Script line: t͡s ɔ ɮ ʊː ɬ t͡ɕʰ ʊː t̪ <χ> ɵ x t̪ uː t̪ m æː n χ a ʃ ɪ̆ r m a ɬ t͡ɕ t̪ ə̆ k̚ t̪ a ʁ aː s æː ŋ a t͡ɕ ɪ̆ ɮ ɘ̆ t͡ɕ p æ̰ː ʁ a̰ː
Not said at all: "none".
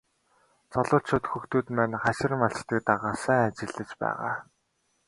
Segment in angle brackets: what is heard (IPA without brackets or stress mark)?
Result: x